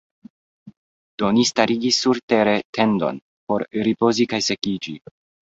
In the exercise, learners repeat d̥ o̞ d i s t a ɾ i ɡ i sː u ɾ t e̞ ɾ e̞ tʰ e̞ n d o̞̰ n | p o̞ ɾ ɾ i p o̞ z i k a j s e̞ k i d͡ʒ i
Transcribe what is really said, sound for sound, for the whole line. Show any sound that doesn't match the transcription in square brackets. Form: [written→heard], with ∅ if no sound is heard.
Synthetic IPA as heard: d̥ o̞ [d→n] i s t a ɾ i ɡ i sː u ɾ t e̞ ɾ e̞ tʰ e̞ n d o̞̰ n | p o̞ ɾ ɾ i p o̞ z i k a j s e̞ k i d͡ʒ i